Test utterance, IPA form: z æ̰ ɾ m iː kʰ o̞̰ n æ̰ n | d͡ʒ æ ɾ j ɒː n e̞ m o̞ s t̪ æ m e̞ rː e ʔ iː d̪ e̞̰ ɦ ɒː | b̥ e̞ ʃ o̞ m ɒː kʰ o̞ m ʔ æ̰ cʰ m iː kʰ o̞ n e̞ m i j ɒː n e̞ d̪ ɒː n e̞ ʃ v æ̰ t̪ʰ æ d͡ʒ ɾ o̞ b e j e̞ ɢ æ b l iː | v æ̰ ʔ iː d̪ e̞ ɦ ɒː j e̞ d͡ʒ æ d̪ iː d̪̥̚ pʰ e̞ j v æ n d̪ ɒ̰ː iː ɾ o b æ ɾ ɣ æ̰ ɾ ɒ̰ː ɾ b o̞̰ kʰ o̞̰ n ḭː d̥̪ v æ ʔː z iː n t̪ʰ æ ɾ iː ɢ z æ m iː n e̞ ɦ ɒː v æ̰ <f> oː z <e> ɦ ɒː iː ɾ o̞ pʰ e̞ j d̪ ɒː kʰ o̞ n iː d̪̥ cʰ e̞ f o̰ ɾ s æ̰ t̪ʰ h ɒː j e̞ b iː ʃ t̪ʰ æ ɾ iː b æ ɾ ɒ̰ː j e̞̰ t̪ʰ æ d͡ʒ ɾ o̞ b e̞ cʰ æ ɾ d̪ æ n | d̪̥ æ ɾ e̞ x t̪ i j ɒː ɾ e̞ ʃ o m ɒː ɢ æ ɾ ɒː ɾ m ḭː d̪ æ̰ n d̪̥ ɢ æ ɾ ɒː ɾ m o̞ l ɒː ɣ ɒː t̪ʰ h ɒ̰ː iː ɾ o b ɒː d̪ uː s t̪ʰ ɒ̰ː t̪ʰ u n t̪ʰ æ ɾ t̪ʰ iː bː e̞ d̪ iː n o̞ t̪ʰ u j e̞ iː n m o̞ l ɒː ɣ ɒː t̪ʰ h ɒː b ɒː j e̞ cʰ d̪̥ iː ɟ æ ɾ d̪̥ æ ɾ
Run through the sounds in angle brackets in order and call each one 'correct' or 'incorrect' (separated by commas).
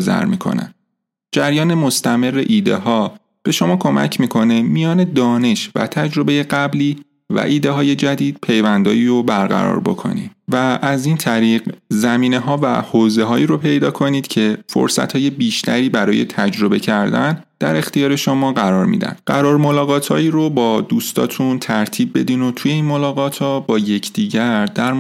incorrect, correct